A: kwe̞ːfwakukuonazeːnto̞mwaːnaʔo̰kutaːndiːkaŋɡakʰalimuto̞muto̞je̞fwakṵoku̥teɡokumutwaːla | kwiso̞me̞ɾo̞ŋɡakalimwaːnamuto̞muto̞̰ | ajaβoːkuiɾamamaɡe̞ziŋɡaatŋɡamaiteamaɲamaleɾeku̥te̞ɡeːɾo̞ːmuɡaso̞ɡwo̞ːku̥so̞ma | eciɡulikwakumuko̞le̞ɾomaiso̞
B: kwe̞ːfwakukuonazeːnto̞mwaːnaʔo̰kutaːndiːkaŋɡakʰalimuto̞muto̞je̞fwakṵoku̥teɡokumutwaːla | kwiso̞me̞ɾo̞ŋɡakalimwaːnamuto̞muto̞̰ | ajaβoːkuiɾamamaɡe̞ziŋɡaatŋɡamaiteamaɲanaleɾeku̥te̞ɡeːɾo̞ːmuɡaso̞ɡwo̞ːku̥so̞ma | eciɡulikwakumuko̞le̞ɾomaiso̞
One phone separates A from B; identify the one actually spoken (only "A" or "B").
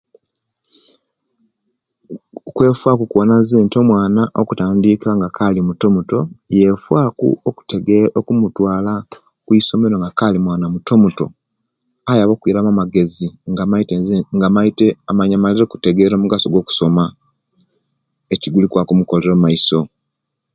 A